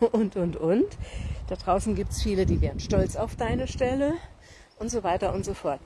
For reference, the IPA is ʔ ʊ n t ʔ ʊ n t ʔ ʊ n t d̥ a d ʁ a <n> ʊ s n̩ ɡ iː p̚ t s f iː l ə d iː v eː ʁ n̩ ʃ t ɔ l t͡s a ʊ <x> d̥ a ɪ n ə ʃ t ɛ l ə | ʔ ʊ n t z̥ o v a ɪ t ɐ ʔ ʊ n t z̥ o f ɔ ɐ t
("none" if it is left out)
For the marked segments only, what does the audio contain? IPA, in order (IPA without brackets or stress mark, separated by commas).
none, f